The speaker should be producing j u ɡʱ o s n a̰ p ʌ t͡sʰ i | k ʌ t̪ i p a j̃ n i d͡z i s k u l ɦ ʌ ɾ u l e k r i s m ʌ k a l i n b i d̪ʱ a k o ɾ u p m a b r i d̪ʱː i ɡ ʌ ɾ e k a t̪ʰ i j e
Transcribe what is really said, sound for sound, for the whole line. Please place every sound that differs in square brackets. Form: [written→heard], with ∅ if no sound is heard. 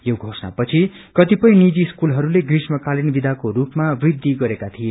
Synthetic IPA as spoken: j [u→o] ɡʱ o s n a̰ p ʌ t͡sʰ i | k ʌ t̪ i p [a→ʌ] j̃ n i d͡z i s k u l ɦ ʌ ɾ u l e [k→ɡ] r i s m ʌ k a l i n b i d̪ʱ a k o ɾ u p m a b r i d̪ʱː i ɡ ʌ ɾ e k a t̪ʰ i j e